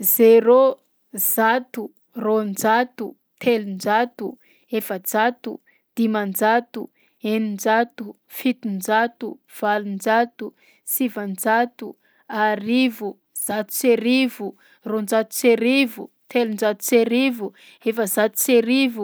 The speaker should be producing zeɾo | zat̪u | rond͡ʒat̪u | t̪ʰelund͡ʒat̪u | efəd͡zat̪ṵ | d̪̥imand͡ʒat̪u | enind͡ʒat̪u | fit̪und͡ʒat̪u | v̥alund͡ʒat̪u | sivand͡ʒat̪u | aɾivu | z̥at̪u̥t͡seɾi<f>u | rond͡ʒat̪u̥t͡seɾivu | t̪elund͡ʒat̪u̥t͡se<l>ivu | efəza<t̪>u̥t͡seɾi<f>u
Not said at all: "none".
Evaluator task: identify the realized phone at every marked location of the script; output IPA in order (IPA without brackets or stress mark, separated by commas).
v, ɾ, t̪, v